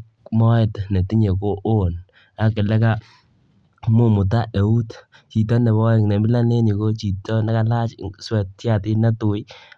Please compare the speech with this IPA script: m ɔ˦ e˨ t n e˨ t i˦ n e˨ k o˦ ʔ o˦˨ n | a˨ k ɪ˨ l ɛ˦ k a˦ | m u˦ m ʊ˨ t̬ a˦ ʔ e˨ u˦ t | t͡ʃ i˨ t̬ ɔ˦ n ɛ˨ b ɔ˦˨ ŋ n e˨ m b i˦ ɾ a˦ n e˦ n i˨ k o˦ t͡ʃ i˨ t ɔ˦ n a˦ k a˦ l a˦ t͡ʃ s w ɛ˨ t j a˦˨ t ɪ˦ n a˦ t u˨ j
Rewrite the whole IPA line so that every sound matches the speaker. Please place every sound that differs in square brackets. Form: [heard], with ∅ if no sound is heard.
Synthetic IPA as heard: m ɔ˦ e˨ t n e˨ t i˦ [ɲ] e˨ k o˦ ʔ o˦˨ n | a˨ k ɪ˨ l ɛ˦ k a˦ | m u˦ m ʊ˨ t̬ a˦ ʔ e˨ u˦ t | t͡ʃ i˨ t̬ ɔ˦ n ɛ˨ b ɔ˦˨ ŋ n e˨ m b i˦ [l] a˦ n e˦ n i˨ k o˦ t͡ʃ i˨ t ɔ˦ n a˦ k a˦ l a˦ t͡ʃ s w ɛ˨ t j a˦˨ t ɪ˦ n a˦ t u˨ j

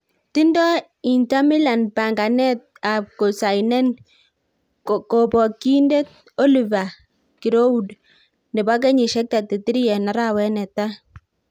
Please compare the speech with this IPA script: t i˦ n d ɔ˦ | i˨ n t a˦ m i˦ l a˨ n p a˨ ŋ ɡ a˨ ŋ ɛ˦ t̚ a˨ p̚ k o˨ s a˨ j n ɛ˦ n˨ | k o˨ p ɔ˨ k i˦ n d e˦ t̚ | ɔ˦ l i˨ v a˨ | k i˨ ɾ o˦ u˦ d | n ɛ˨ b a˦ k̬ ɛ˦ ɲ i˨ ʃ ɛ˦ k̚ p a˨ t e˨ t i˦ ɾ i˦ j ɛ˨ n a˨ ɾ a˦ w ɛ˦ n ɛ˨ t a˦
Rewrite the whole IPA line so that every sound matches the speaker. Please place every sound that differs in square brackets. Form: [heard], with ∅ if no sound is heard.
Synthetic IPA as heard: t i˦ n d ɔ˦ | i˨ n t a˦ m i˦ l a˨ n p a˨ ŋ ɡ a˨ [n] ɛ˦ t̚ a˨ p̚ k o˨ s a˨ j n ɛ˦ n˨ | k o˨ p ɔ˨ k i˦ n d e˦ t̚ | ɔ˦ l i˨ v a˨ | k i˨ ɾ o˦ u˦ d | n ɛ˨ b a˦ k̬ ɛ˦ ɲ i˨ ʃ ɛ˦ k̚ [t] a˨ t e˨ t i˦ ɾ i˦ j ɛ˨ n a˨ ɾ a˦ w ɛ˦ n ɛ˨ t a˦

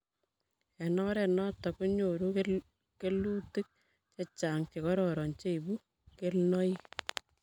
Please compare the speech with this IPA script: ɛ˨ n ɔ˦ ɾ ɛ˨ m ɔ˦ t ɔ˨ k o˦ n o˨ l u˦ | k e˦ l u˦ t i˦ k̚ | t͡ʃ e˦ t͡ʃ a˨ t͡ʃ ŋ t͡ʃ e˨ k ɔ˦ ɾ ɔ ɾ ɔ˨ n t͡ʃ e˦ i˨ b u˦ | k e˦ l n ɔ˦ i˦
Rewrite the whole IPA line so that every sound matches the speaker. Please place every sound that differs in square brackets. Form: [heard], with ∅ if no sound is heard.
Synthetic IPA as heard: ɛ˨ n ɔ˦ ɾ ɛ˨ [n] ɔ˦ t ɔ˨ k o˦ [ɲ] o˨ [ɾ] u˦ | k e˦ l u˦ t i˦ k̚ | t͡ʃ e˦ t͡ʃ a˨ [∅] ŋ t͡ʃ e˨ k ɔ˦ ɾ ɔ ɾ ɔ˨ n t͡ʃ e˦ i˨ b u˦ | k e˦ l n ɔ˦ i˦

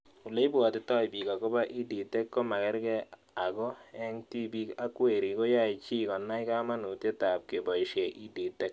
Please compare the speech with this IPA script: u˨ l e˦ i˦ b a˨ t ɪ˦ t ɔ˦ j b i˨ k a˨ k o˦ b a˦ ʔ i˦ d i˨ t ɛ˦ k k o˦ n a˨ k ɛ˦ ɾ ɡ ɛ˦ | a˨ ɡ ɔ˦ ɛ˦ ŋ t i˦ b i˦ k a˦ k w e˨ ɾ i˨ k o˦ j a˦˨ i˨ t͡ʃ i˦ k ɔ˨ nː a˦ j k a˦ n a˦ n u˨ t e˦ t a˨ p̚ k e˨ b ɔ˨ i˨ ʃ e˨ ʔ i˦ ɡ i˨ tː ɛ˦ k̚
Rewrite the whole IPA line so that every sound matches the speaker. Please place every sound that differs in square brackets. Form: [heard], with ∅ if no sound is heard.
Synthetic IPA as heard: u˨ l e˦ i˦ b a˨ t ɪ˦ t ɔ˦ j b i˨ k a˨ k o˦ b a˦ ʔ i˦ d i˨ t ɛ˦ k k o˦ [m] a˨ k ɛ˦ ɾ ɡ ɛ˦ | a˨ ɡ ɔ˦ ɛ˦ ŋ t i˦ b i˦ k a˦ k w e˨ ɾ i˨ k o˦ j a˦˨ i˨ t͡ʃ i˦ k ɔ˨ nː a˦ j k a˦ [m] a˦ n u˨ t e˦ t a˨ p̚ k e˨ b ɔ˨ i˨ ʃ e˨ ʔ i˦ [d] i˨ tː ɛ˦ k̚

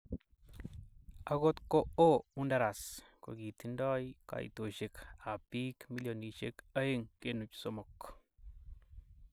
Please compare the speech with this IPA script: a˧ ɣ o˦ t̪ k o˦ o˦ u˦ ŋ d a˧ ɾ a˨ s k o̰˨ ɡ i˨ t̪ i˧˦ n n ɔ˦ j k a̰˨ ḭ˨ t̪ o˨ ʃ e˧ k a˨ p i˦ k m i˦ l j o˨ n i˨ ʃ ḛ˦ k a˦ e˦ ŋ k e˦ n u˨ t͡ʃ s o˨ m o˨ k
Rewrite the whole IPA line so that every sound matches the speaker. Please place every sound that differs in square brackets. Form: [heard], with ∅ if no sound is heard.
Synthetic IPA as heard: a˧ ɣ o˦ t̪ k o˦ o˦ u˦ [n] d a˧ ɾ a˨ s k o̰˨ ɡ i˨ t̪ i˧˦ n [d] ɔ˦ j k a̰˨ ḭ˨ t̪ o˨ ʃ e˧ k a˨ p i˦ k m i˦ l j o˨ n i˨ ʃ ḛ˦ k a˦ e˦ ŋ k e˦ n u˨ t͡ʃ s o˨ m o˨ k

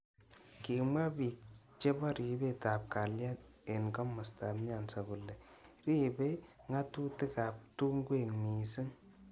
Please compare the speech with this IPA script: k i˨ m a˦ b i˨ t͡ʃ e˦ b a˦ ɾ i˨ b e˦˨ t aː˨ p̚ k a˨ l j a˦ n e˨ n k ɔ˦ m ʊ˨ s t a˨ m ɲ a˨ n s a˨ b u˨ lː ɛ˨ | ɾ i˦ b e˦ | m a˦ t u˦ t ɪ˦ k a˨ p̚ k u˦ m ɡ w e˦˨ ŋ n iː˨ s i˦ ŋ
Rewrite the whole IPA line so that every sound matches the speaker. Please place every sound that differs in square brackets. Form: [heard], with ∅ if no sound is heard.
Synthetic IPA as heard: k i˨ m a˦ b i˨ t͡ʃ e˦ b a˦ ɾ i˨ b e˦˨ t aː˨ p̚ k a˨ l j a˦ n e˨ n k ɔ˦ m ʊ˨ s t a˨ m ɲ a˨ n s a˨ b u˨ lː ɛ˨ | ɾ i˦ b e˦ | [ŋ] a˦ t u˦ t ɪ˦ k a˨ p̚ [t] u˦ [ŋ] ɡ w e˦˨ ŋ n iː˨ s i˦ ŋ

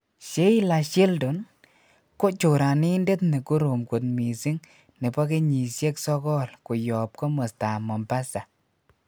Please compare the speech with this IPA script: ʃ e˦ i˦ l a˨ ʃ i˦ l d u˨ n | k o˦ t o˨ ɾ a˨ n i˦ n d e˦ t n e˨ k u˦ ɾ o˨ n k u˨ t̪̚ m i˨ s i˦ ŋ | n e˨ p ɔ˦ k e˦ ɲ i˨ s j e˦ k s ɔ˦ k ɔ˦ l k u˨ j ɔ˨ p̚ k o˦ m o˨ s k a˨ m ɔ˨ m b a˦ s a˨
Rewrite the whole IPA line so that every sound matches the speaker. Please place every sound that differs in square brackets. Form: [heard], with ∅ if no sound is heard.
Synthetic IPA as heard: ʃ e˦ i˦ l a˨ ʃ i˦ l d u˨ n | k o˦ [t͡ʃ] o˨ ɾ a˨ n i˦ n d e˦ t n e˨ k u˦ ɾ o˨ [m] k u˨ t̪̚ m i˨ s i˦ ŋ | n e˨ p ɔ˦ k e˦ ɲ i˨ s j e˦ k s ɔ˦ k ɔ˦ l k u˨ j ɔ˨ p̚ k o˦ m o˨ s [t] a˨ m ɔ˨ m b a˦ s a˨

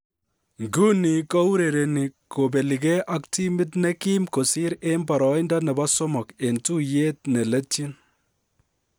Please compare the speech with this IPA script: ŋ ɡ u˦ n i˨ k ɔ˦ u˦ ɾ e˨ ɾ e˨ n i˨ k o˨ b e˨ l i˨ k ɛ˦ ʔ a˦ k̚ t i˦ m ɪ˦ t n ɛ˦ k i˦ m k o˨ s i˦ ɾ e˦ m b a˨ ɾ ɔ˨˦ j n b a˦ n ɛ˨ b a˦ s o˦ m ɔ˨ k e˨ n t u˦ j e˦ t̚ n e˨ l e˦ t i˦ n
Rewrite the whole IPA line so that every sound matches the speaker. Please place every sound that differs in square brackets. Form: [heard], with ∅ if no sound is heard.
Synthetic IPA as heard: ŋ ɡ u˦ n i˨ k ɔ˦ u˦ ɾ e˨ ɾ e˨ n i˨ k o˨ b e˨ l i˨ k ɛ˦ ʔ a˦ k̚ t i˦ m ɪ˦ t n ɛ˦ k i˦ m k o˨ s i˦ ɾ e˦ m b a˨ ɾ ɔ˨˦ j n [d] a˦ n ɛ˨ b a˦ s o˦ m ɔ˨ k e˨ n t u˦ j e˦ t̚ n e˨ l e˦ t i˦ n

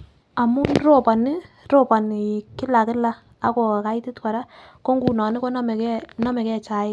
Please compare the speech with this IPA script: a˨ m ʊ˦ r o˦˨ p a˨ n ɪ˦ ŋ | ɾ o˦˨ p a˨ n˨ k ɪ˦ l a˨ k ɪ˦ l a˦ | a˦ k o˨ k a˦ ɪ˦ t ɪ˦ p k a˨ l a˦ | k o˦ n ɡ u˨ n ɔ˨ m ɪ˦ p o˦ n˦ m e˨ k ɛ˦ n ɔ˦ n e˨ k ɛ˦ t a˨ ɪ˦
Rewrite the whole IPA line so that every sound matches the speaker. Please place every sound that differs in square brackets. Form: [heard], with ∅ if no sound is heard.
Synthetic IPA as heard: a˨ m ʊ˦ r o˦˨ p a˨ n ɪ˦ [∅] | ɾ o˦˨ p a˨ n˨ k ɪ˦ l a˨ k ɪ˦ l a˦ | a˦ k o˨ k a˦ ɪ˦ t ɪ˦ [t] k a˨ [ɾ] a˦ | k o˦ [ŋ] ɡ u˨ n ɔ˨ [n] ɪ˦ [k] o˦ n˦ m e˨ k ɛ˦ n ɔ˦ [m] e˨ k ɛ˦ [t͡ʃ] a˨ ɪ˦

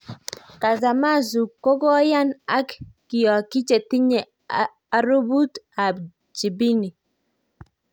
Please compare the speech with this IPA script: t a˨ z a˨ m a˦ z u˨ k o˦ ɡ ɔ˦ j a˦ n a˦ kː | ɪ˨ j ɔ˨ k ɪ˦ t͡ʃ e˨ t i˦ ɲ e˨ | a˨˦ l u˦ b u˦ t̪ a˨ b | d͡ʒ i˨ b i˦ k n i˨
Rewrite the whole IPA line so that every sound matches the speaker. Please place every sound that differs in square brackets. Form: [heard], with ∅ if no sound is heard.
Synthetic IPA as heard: [k] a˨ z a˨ m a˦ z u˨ k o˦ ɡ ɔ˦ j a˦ n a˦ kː | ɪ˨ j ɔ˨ k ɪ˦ t͡ʃ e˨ t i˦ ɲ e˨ | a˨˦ [ɾ] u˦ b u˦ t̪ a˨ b | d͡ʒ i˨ b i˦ [∅] n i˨

